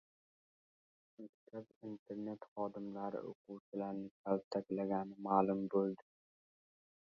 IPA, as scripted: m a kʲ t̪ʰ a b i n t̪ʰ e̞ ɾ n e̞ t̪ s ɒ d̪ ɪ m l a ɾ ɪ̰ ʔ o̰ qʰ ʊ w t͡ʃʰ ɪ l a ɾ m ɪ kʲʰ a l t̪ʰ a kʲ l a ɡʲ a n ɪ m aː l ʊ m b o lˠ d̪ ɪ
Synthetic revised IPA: m a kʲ t̪ʰ a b i n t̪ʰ e̞ ɾ n e̞ t̪ χ ɒ d̪ ɪ m l a ɾ ɪ̰ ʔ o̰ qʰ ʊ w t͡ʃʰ ɪ l a ɾ n ɪ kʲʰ a l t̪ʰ a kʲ l a ɡʲ a n ɪ m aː l ʊ m b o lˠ d̪ ɪ